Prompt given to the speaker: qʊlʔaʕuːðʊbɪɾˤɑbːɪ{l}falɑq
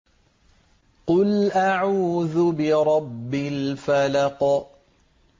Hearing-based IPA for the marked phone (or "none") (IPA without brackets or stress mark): l